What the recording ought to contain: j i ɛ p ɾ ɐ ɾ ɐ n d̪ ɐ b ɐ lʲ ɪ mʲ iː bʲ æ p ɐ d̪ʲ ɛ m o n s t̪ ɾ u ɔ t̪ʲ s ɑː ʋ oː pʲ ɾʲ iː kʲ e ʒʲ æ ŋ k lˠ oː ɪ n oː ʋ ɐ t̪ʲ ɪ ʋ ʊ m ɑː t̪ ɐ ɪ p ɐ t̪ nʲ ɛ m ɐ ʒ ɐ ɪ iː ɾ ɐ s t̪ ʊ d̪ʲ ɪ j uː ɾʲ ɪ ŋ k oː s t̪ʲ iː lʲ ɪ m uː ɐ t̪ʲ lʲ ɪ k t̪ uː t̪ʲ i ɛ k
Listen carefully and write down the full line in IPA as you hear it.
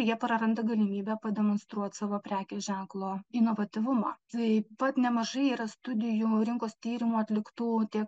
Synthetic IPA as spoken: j i ɛ p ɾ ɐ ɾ ɐ n d̪ ɐ ɡ ɐ lʲ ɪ mʲ iː bʲ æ p ɐ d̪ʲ ɛ m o n s t̪ ɾ u ɔ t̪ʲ s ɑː ʋ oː pʲ ɾʲ æː kʲ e ʒʲ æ ŋ k lˠ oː ɪ n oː ʋ ɐ t̪ʲ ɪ ʋ ʊ m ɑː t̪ ɐ ɪ p ɐ t̪ nʲ ɛ m ɐ ʒ ɐ ɪ iː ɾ ɐ s t̪ ʊ d̪ʲ ɪ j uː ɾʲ ɪ ŋ k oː s t̪ʲ iː ɾʲ ɪ m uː ɐ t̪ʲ lʲ ɪ k t̪ uː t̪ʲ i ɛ k

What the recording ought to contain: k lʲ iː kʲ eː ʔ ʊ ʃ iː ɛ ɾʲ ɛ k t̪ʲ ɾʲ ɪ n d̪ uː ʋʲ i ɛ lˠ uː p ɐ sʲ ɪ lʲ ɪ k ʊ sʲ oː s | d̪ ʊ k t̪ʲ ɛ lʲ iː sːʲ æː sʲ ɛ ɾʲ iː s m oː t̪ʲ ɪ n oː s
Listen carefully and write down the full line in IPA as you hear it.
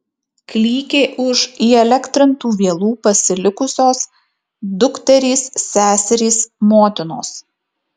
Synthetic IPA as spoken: k lʲ iː kʲ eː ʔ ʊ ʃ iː ɛ lʲ ɛ k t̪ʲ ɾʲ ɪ n t̪ uː ʋʲ i ɛ lˠ uː p ɐ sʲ ɪ lʲ ɪ k ʊ sʲ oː s | d̪ ʊ k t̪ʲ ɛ ɾʲ iː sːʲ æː sʲ ɛ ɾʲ iː s m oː t̪ʲ ɪ n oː s

